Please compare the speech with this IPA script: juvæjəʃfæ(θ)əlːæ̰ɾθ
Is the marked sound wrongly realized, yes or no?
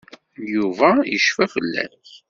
yes